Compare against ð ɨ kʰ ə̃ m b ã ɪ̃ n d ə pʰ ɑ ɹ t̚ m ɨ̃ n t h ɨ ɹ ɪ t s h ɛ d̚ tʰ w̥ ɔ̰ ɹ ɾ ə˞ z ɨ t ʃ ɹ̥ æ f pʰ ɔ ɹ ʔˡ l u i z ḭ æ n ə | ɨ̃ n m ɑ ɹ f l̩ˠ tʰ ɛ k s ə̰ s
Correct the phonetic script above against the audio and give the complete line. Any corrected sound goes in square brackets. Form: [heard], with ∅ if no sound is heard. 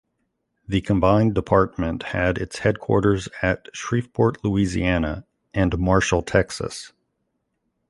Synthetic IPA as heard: ð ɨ kʰ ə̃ m b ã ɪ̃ n d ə pʰ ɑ ɹ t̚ m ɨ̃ n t h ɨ [ɾ] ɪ t s h ɛ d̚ [kʰ] w̥ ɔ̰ ɹ ɾ ə˞ z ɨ t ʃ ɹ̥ [i] f pʰ ɔ ɹ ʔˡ l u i z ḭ æ n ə | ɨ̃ n m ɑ ɹ [ʃ] l̩ˠ tʰ ɛ k s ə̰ s